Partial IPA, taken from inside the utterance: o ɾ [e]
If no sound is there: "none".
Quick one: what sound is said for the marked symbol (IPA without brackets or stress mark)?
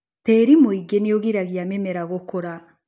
a